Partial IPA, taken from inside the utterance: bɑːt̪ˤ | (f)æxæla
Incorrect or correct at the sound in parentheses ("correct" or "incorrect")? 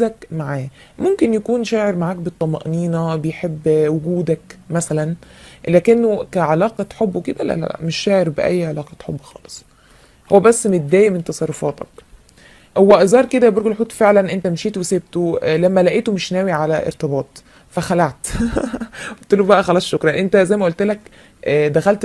correct